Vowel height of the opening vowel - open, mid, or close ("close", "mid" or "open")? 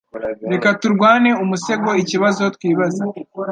mid